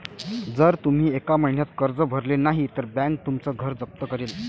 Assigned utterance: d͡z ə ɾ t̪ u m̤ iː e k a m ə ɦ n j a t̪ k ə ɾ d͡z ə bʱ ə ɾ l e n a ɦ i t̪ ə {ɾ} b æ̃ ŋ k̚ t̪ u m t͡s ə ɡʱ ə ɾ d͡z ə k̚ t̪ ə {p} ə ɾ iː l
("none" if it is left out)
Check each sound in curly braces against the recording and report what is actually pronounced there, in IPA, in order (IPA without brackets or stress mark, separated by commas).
ɾ, k